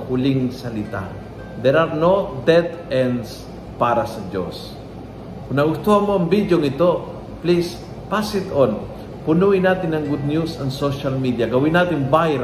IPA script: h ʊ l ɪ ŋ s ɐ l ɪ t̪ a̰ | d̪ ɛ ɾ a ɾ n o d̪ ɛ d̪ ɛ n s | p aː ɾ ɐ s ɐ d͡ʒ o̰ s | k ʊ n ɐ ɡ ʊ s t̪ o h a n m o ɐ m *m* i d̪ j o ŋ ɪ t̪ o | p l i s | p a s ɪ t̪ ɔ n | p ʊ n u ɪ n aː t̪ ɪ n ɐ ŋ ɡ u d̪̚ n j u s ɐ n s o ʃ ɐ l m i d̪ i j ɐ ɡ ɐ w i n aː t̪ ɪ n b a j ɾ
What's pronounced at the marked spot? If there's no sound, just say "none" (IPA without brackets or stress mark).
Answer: b